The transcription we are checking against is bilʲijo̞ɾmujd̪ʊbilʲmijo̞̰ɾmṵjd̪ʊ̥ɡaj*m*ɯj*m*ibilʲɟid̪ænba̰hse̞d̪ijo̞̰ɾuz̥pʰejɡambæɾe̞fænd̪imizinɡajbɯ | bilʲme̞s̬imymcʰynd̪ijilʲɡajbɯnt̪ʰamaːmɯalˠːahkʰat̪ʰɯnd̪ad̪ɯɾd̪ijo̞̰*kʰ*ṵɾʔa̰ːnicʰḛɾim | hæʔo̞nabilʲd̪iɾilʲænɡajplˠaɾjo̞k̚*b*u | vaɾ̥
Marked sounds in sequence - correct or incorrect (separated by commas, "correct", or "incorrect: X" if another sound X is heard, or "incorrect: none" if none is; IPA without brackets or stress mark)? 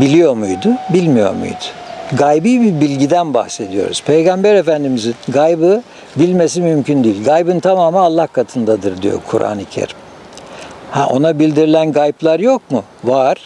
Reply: incorrect: b, incorrect: b, correct, incorrect: m